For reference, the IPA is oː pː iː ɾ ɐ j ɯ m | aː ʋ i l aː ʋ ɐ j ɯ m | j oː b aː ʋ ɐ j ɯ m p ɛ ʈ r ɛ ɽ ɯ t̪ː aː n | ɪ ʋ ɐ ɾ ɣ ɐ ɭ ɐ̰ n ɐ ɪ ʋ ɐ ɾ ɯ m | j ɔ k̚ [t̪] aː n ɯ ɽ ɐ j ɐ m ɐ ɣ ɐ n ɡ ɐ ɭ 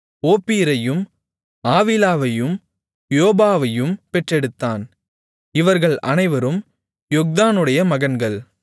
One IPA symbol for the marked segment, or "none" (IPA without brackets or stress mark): d̪